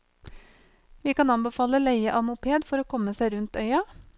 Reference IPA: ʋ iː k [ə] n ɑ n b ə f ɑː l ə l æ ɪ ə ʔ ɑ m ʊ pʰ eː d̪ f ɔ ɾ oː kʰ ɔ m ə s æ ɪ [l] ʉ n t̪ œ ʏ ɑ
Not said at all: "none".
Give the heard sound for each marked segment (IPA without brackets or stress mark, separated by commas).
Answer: ɑ, ɾ